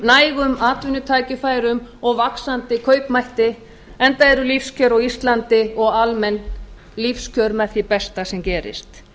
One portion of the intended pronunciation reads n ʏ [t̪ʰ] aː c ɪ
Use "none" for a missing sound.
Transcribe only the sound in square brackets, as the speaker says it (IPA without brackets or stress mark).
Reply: t̪ʰ